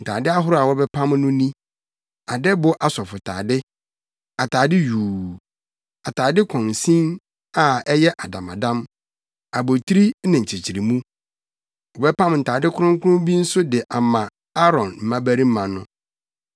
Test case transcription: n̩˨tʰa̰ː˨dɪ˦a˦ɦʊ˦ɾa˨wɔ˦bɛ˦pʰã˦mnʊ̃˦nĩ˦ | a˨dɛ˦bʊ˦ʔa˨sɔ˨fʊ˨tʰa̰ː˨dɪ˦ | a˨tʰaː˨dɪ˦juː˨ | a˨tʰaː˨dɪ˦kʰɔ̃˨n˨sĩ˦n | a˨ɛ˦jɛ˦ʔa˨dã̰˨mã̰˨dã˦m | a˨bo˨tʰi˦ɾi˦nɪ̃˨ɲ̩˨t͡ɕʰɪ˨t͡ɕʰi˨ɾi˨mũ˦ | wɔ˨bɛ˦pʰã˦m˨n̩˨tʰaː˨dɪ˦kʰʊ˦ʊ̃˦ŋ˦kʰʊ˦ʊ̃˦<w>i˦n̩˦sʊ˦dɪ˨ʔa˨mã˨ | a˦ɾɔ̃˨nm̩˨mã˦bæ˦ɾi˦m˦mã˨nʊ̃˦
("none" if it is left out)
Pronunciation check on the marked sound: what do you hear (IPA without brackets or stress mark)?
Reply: b